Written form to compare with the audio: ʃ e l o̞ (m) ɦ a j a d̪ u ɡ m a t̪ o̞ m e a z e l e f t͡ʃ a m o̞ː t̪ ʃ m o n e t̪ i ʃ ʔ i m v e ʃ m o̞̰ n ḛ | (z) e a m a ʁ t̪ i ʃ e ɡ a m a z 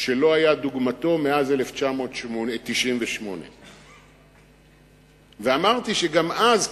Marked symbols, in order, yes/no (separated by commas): no, no